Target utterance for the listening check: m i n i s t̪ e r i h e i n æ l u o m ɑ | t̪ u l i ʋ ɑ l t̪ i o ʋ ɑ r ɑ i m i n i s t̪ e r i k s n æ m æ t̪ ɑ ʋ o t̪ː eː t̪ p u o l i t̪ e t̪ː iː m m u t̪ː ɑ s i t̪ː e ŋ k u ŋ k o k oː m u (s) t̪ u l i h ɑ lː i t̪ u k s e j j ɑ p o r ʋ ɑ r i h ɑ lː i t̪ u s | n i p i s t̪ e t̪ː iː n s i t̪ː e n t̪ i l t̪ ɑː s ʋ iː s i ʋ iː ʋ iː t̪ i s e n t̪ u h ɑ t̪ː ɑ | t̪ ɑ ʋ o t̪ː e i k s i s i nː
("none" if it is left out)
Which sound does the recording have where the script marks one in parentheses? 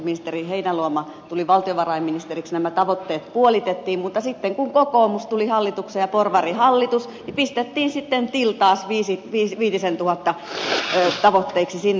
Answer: s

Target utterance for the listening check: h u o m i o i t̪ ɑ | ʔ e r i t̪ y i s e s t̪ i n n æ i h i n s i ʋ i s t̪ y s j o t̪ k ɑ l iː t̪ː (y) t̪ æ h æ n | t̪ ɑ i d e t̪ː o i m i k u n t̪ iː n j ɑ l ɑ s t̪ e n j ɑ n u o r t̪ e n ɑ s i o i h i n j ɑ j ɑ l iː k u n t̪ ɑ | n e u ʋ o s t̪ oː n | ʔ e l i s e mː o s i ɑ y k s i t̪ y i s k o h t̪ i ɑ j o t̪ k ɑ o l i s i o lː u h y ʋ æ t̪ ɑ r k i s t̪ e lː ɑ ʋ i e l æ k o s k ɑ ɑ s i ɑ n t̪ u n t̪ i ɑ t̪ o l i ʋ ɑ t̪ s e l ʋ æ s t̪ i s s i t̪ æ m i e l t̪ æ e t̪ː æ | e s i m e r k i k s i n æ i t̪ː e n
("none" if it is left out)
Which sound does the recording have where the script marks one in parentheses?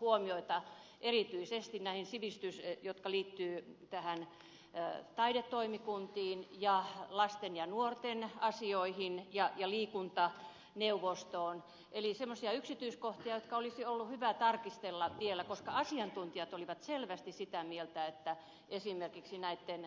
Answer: yː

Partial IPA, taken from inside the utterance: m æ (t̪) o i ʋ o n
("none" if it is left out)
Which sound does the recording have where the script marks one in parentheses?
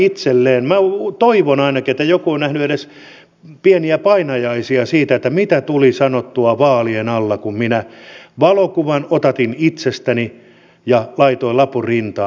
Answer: t̪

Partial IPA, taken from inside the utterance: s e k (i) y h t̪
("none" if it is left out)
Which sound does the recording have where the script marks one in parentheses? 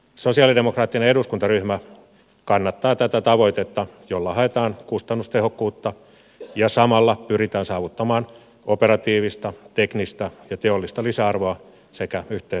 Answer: æ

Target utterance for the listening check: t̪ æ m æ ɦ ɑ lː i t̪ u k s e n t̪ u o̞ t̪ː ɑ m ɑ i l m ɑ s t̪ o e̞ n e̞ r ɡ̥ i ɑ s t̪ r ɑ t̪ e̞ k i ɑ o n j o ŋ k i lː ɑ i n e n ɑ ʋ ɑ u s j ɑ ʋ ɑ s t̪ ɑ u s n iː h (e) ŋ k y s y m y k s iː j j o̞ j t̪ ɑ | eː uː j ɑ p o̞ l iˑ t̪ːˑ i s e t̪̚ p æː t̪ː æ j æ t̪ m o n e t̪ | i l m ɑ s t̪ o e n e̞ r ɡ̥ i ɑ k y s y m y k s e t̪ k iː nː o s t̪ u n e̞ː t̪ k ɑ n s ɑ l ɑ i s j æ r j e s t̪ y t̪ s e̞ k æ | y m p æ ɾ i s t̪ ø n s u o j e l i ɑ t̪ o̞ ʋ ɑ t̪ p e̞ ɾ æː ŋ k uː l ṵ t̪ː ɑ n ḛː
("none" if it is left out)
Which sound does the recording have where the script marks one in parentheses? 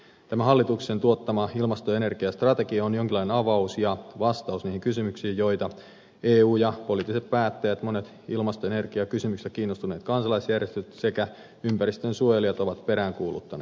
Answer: i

